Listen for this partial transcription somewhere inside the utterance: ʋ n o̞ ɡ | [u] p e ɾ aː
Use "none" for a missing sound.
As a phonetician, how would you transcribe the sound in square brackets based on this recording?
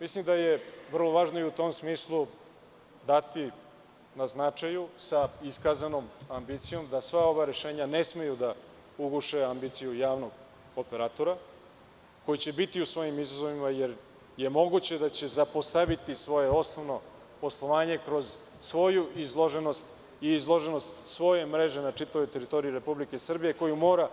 o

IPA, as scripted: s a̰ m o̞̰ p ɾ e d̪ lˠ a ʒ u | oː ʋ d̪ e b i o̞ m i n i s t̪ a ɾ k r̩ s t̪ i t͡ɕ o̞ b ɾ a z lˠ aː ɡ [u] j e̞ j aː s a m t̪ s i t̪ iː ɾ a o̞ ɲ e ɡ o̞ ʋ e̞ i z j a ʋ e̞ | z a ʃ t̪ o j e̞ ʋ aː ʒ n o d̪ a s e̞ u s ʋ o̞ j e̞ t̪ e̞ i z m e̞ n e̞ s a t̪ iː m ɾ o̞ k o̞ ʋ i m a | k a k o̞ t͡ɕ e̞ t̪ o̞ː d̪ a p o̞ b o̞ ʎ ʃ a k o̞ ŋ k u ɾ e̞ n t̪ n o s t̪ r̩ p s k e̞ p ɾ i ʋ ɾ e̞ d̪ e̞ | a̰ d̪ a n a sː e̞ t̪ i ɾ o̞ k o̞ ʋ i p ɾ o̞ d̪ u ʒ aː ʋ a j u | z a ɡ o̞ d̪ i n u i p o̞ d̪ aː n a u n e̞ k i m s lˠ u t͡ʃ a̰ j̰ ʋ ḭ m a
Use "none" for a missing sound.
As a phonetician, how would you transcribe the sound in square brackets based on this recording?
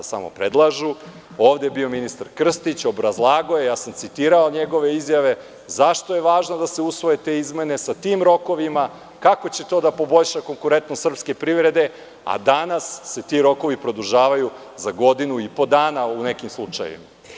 o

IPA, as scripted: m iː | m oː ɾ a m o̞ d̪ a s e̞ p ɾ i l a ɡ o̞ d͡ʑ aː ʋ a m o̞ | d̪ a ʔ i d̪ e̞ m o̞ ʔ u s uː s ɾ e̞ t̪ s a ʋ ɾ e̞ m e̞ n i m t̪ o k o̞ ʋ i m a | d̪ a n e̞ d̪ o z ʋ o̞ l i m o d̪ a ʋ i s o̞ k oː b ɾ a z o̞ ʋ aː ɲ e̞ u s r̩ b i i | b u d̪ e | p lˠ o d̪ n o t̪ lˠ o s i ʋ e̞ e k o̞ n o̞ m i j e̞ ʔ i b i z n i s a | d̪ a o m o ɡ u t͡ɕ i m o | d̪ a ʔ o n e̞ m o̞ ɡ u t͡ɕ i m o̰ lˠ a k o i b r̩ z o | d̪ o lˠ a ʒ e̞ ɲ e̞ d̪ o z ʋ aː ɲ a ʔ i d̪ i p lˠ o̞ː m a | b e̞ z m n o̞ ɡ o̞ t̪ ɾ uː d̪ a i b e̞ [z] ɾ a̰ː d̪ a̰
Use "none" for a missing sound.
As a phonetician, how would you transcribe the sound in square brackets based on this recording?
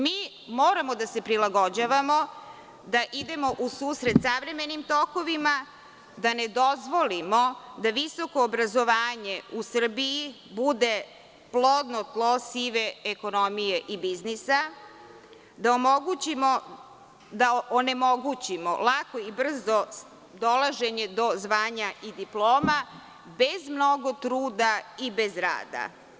z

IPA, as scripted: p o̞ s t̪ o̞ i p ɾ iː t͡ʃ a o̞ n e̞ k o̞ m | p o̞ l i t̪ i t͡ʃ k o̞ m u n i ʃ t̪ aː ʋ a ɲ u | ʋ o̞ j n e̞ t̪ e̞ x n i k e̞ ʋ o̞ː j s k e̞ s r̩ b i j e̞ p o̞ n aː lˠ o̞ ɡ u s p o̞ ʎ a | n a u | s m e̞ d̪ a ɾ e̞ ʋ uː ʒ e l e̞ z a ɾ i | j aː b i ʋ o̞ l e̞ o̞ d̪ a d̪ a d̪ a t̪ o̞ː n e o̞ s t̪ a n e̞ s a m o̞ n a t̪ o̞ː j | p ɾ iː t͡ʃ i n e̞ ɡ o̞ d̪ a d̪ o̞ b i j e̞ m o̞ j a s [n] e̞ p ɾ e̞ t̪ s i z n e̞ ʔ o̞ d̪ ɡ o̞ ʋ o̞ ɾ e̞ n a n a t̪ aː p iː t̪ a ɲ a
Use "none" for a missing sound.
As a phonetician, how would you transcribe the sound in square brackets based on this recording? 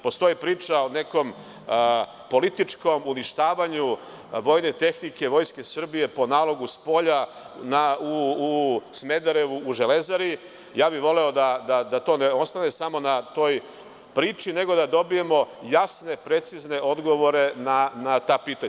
n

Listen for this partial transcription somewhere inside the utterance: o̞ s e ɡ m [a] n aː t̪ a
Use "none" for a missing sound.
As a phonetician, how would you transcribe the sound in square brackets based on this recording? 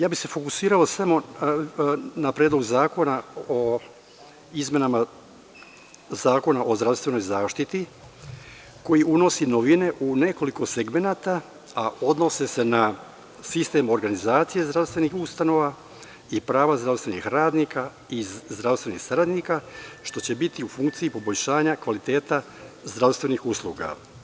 e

